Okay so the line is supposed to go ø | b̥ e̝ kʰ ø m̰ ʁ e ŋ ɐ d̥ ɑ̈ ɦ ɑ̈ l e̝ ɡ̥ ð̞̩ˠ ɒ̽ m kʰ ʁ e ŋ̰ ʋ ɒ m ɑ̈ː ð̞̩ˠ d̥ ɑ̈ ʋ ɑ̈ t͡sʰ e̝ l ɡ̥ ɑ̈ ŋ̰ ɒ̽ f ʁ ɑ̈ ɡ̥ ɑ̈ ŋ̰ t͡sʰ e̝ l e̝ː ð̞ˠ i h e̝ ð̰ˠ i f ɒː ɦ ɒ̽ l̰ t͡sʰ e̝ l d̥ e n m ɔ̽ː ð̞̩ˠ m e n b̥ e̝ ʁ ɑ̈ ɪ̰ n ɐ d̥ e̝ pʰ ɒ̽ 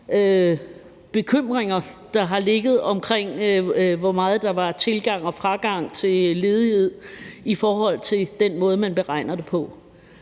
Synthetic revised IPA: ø | b̥ e̝ kʰ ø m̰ ʁ e ŋ ɐ d̥ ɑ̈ ɦ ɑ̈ l e̝ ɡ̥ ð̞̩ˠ ɒ̽ m kʰ ʁ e ŋ̰ ʋ ɒ m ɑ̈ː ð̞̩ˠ d̥ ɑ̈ ʋ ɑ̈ t͡sʰ e̝ l ɡ̥ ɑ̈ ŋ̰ ɒ̽ f ʁ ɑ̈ ɡ̥ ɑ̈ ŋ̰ t͡sʰ e̝ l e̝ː ð̞ˠ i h e̝ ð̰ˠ i f ɒː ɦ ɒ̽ l̰ t͡sʰ e̝ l d̥ e n m ɔ̽ː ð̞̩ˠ m æ n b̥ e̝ ʁ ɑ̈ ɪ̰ n ɐ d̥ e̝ pʰ ɒ̽